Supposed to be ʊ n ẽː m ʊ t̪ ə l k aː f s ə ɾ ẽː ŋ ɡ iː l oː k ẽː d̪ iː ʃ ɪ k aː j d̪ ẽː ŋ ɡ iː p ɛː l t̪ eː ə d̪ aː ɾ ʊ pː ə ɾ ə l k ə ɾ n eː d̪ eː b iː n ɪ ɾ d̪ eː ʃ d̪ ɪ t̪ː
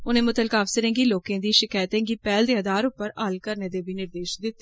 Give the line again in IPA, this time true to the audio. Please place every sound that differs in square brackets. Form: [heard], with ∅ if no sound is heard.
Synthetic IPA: ʊ n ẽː m ʊ t̪ ə l k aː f s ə ɾ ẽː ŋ ɡ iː l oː k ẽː d̪ iː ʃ ɪ k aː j [t̪] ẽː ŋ ɡ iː p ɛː l [d̪] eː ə d̪ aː ɾ ʊ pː ə ɾ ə l k ə ɾ n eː d̪ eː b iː n ɪ ɾ d̪ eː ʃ d̪ ɪ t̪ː